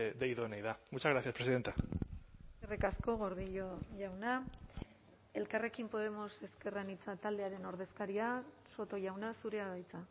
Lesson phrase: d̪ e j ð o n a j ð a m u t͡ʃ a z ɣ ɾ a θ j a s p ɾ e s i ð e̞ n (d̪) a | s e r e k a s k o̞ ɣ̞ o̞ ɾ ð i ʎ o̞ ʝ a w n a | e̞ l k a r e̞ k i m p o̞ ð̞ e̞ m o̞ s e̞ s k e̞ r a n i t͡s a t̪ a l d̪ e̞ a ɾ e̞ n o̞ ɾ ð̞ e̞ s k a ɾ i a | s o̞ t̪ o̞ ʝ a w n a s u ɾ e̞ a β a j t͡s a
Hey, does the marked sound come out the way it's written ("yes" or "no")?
no